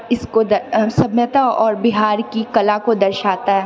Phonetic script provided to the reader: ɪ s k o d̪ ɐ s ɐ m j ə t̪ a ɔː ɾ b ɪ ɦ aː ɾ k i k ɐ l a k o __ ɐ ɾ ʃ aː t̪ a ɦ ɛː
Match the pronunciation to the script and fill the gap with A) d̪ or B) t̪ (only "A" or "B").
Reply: A